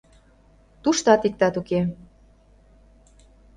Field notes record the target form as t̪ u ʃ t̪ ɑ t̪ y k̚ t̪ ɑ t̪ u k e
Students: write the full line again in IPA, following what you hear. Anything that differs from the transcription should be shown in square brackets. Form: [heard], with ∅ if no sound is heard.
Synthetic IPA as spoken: t̪ u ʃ t̪ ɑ t̪ [i] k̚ t̪ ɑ t̪ u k e